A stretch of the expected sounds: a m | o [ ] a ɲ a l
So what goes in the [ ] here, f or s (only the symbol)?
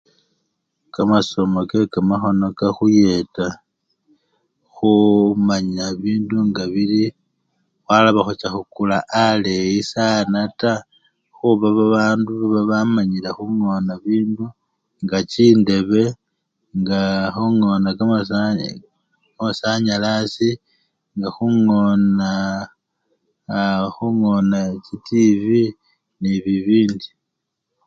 s